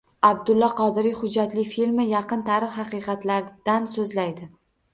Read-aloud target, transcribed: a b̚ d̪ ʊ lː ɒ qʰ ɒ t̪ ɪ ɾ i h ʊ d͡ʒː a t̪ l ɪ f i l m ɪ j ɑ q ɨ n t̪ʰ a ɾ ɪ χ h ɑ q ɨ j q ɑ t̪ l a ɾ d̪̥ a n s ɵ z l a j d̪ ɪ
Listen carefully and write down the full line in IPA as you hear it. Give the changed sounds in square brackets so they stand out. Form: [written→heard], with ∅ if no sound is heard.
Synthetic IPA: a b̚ d̪ ʊ lː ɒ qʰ ɒ [t̪→d̪] ɪ ɾ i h ʊ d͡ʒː a t̪ l ɪ f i l m ɪ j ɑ q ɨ n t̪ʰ a ɾ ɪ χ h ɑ q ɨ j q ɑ t̪ l a ɾ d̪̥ a n s ɵ z l a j d̪ ɪ